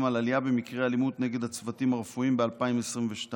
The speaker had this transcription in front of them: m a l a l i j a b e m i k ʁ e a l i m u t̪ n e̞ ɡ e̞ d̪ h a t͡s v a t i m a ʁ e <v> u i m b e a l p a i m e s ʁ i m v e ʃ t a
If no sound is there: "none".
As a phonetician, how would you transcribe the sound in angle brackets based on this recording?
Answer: f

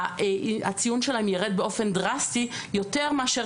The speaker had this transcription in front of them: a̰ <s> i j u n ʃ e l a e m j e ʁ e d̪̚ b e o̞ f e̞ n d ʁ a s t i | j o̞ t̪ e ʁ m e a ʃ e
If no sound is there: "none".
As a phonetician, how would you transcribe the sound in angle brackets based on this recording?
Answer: t͡s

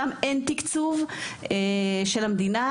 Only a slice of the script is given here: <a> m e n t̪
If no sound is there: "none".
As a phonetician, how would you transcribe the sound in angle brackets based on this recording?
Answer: a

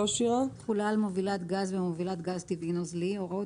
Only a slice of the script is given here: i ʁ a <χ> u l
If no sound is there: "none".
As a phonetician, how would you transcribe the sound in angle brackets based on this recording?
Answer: χ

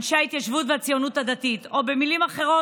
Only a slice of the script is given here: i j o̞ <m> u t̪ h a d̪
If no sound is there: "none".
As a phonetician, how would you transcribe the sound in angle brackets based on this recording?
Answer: n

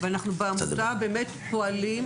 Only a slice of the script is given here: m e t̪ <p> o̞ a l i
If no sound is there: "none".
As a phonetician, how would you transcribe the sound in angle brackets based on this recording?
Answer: p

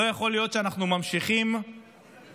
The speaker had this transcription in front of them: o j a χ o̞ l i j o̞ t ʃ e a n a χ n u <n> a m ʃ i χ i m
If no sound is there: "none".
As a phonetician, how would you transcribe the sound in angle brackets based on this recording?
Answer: m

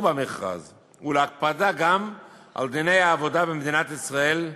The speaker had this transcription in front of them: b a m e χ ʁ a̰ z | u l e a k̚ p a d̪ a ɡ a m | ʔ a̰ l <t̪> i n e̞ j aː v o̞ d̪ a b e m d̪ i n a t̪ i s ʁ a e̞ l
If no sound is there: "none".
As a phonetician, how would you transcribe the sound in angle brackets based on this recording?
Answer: d̪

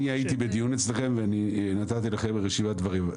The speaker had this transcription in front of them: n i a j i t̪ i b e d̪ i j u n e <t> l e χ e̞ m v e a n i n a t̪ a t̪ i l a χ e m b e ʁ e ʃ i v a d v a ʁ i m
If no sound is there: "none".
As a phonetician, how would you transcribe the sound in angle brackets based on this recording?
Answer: t͡s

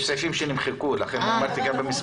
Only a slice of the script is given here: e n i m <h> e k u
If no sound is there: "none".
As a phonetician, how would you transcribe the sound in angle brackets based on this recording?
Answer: χ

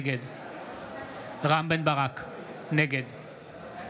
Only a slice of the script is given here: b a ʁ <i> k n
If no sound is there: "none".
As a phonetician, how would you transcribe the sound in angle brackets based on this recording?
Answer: a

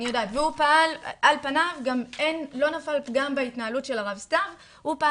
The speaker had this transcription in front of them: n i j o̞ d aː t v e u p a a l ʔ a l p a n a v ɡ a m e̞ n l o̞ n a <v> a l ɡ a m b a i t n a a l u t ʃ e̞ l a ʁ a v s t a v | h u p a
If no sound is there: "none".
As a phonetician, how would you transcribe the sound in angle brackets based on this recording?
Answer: f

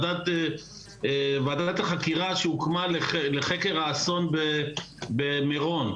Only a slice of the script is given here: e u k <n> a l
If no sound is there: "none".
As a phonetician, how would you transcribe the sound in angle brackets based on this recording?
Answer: m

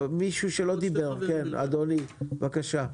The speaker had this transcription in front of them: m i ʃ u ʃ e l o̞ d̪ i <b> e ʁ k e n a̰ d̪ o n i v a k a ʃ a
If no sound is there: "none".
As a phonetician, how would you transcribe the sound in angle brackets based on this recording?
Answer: b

